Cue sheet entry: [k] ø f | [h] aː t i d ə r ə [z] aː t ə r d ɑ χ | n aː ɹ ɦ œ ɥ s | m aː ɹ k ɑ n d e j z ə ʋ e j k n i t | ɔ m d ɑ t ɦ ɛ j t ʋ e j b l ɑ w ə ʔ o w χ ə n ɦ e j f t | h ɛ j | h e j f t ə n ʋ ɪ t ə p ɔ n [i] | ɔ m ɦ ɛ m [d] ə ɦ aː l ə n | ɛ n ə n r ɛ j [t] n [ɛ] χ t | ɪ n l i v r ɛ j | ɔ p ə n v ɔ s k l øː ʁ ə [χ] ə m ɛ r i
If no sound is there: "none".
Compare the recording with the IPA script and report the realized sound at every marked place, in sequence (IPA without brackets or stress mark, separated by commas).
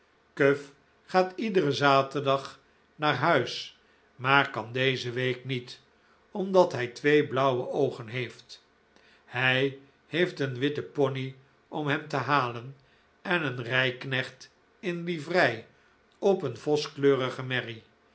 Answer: k, χ, z, i, t, k, ɛ, χ